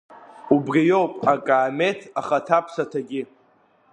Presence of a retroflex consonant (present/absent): absent